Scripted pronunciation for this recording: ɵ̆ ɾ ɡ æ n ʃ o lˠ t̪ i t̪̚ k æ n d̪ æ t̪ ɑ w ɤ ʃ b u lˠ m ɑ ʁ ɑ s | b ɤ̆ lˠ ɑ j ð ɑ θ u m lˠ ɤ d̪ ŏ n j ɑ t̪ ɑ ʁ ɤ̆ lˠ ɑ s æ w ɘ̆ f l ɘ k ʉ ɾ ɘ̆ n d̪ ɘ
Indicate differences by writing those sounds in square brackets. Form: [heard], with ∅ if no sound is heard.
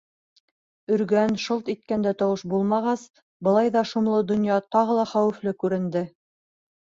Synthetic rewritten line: ɵ̆ ɾ ɡ æ n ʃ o lˠ t̪ i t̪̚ k æ n d̪ æ t̪ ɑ w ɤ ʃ b u lˠ m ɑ ʁ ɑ s | b ɤ̆ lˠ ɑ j ð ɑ [ʃ] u m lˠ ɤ d̪ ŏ n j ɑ t̪ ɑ ʁ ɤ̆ lˠ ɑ [χ] æ w ɘ̆ f l ɘ k ʉ ɾ ɘ̆ n d̪ ɘ